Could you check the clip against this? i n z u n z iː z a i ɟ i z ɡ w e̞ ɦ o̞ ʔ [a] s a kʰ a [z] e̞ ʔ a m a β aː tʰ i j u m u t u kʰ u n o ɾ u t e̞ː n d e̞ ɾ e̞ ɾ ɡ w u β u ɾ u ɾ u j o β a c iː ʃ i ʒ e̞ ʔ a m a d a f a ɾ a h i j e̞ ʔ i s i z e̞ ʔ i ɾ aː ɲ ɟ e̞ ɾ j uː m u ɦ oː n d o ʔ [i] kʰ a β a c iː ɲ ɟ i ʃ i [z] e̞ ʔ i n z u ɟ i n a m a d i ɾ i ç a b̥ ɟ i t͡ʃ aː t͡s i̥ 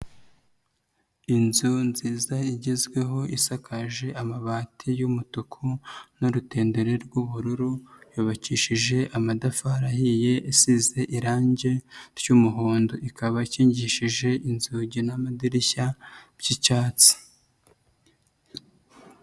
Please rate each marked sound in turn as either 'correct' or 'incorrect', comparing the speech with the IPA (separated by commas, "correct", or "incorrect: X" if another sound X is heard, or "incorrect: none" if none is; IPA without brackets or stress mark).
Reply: incorrect: i, incorrect: ʒ, correct, incorrect: ʒ